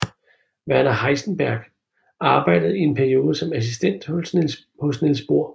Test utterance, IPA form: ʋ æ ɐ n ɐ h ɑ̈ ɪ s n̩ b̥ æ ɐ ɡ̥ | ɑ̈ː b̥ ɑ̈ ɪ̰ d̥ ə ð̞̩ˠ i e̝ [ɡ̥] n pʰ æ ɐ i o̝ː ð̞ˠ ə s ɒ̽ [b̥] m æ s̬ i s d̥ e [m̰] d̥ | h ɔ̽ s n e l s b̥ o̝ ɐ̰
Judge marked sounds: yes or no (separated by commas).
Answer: no, no, no